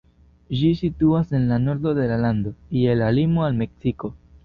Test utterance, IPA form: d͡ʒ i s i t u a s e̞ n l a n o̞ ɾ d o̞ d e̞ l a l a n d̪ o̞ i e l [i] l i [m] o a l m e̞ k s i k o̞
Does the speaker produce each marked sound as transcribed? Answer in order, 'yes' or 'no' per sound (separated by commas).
no, yes